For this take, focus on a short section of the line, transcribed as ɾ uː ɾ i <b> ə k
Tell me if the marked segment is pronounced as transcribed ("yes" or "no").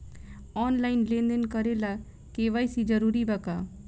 yes